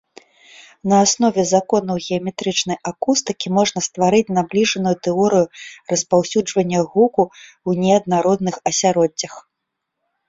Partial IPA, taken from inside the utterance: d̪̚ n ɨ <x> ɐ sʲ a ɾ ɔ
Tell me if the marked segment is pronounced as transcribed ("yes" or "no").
yes